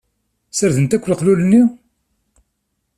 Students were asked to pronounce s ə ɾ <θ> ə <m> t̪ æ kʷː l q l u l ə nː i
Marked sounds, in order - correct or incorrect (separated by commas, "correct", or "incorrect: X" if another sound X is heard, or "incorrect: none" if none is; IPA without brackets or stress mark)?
incorrect: ð, incorrect: n